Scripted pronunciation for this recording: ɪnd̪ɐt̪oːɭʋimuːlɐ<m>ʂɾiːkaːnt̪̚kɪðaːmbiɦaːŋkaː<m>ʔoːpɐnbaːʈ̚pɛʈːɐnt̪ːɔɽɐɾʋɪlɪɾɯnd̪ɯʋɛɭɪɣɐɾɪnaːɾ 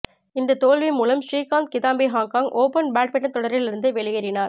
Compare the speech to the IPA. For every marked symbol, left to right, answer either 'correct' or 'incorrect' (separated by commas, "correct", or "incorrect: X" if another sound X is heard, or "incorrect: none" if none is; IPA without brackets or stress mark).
correct, incorrect: ŋ